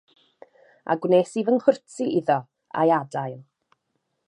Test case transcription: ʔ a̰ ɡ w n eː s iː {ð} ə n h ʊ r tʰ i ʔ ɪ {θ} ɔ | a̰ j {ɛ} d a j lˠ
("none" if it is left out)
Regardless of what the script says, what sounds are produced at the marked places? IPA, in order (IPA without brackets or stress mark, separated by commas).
v, ð, a